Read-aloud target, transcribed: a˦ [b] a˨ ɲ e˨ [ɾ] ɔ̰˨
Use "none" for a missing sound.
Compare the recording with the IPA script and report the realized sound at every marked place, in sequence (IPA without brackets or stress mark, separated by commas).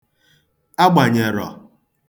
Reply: ɡ͡b, ɾ